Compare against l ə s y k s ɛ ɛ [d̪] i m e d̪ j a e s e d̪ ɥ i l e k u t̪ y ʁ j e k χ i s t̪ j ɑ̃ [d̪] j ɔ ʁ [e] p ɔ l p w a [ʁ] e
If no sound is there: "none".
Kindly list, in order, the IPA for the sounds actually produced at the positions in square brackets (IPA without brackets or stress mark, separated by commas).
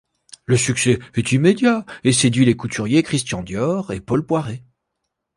t̪, d̪, e, ʁ